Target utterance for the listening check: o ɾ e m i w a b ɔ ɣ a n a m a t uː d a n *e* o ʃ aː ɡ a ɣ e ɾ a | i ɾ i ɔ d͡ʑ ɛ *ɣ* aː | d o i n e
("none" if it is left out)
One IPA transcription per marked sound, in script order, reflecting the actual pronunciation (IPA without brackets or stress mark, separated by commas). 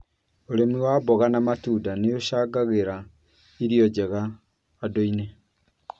e, ɣ